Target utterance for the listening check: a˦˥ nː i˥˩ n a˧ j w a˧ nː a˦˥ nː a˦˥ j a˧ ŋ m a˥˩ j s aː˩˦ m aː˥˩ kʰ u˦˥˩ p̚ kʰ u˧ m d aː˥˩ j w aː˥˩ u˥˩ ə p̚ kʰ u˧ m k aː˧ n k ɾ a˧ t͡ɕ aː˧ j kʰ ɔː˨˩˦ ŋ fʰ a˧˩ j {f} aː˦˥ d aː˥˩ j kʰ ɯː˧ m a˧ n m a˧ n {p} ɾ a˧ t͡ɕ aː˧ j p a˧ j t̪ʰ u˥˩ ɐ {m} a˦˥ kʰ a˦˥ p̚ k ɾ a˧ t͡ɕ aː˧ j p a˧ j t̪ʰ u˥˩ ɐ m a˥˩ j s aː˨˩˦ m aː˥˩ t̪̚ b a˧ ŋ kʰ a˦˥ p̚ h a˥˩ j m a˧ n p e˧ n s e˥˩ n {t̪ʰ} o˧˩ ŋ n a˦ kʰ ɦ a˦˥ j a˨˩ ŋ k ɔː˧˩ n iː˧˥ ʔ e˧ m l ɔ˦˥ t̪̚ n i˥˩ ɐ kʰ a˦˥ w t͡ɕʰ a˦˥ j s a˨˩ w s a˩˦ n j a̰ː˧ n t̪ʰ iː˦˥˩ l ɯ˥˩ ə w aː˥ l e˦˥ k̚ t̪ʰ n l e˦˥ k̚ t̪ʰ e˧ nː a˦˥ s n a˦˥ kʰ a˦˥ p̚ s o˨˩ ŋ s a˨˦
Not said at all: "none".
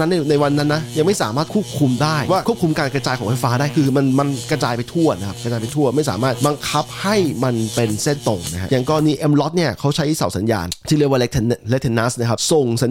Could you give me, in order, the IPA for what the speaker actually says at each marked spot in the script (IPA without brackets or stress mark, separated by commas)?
f, k, n, t̪